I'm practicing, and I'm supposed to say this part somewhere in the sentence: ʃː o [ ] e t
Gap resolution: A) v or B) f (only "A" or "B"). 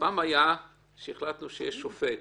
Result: B